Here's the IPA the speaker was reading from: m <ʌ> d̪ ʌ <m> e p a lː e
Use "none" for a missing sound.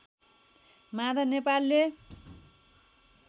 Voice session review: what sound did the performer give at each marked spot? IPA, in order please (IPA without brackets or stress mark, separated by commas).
a, n